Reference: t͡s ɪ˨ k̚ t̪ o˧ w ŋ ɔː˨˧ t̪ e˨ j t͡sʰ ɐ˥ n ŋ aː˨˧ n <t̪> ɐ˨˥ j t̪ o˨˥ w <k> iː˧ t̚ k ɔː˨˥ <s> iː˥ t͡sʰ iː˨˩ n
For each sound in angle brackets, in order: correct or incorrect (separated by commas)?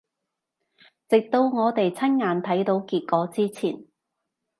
incorrect, correct, incorrect